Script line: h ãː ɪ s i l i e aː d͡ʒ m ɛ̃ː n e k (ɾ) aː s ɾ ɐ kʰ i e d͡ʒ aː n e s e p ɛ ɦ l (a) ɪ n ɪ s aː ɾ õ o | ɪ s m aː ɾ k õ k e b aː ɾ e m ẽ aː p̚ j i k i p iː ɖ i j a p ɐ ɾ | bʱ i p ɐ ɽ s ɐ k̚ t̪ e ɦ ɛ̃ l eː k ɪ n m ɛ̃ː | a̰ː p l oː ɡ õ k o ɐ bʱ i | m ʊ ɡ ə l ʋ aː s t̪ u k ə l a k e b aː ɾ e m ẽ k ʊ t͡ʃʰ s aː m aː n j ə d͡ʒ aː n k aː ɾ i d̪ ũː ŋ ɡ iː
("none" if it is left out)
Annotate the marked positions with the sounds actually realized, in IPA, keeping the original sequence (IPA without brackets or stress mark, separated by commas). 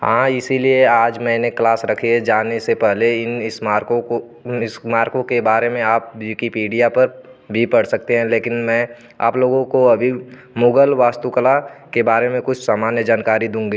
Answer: l, e